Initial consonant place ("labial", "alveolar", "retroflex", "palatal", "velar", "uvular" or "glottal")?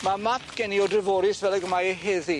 labial